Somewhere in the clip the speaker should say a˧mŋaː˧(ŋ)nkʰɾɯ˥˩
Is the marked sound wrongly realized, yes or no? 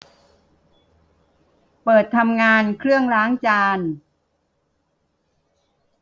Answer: yes